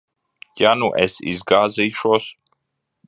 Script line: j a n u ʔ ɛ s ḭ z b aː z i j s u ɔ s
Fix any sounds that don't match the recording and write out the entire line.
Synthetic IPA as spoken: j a n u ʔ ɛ s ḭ z ɡ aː z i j ʃ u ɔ s

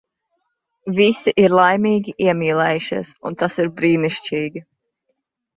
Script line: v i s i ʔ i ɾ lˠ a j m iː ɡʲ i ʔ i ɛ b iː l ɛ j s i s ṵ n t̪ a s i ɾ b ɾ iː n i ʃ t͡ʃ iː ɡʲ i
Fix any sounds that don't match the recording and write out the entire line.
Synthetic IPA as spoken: v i s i ʔ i ɾ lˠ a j m iː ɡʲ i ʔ i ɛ m iː l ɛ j ʃ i s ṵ n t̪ a s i ɾ b ɾ iː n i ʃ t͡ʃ iː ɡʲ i

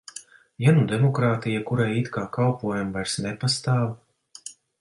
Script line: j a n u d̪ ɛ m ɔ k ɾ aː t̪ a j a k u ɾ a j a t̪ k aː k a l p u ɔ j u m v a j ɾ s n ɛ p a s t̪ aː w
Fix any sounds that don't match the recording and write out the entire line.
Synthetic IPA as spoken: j a n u d̪ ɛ m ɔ k ɾ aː t̪ i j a k u ɾ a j i t̪ k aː k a l p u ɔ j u m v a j ɾ s n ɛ p a s t̪ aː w

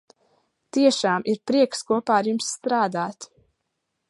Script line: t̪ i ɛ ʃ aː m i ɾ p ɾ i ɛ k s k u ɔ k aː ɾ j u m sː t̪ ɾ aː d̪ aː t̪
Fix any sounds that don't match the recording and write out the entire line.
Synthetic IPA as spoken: t̪ i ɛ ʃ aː m i ɾ p ɾ i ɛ k s k u ɔ p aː ɾ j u m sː t̪ ɾ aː d̪ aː t̪

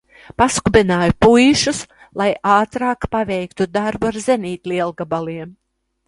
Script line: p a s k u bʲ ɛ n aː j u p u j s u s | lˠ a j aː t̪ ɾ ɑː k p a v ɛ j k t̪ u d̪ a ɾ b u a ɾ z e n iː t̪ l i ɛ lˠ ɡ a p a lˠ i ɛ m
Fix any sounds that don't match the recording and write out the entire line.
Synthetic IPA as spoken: p a s k u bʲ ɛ n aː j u p u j ʃ u s | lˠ a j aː t̪ ɾ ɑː k p a v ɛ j k t̪ u d̪ a ɾ b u a ɾ z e n iː t̪ l i ɛ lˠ ɡ a b a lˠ i ɛ m

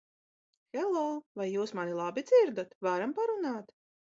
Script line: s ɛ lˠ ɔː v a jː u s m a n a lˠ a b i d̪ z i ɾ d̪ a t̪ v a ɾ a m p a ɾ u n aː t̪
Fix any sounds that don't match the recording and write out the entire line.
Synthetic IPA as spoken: x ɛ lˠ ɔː v a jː uː s m a n i lˠ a b i d̪ z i ɾ d̪ a t̪ v a ɾ a m p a ɾ u n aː t̪

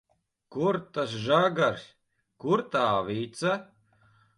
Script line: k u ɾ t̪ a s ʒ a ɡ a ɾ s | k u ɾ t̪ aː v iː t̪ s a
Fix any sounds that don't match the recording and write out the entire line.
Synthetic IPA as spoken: k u ɾ t̪ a s ʒ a ɡ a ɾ s | k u ɾ t̪ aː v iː t̪ s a

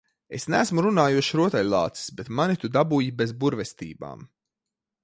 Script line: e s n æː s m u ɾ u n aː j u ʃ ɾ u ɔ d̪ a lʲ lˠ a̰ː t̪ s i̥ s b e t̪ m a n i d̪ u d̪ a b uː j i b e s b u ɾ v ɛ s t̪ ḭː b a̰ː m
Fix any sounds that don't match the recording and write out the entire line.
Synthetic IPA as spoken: e s n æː s m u ɾ u n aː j u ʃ ɾ u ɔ t̪ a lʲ lˠ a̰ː t̪ s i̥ s b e t̪ m a n i t̪ u d̪ a b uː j i b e z b u ɾ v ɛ s t̪ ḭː b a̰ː m

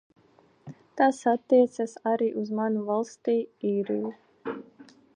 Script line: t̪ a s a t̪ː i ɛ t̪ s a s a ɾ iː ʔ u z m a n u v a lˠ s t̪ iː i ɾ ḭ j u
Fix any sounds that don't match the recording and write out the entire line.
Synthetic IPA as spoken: t̪ a s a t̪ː i ɛ t̪ s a s a ɾ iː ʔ u z m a n u v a lˠ s t̪ iː iː ɾ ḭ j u

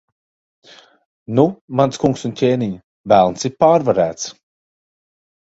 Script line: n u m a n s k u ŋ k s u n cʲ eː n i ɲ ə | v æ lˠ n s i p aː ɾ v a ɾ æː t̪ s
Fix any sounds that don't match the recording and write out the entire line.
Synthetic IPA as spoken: n u m a n s k u ŋ k s u n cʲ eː n i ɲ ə | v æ lˠ n s i p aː ɾ v a ɾ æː t̪ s

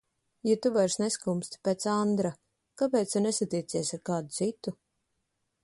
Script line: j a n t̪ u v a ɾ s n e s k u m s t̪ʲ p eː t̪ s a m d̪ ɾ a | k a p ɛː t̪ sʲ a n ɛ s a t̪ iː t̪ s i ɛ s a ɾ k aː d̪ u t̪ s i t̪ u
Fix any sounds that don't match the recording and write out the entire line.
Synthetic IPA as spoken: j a t̪ u v a ɾ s n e s k u m s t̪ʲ p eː t̪ s a n d̪ ɾ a | k a p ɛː t̪ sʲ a n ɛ s a t̪ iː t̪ s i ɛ s a ɾ k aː d̪ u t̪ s i t̪ u

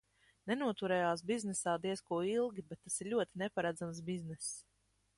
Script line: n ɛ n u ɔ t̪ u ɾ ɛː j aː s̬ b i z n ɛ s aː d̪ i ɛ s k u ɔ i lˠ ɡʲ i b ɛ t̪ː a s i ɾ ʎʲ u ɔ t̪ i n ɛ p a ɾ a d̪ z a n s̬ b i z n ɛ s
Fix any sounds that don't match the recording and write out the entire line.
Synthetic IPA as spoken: n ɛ n u ɔ t̪ u ɾ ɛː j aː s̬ b i z n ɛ s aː d̪ i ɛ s k u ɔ i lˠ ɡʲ i b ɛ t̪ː a s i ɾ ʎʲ u ɔ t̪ i n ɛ p a ɾ a d̪ z a m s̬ b i z n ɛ s

